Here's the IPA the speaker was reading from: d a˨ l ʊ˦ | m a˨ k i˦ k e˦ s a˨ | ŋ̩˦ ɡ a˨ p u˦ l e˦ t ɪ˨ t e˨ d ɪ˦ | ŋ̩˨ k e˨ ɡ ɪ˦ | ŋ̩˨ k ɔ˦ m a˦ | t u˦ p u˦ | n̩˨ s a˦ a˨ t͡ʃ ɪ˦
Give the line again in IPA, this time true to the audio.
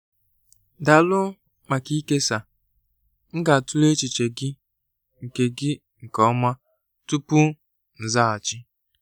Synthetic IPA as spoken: d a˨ l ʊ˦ | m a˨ k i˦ k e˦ s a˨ | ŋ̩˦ ɡ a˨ t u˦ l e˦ t͡ʃ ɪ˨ t͡ʃ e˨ ɡ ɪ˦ | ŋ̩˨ k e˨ ɡ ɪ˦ | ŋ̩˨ k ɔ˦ m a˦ | t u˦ p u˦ | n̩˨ z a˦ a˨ t͡ʃ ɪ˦